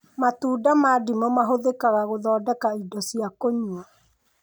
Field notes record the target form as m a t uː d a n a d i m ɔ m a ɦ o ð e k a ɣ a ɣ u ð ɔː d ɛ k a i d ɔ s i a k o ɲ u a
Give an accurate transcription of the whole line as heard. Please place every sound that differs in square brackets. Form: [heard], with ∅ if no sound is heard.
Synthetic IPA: m a t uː d a [m] a d i m ɔ m a ɦ o ð e k a ɣ a ɣ [o] ð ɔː d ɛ k a i d ɔ s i a k o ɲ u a